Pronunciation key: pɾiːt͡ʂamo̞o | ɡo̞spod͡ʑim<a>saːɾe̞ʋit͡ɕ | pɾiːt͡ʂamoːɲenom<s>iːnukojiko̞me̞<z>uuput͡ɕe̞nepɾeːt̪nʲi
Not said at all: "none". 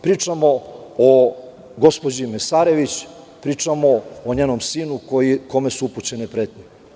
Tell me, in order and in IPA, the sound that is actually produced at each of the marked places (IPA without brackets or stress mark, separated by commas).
e, s, s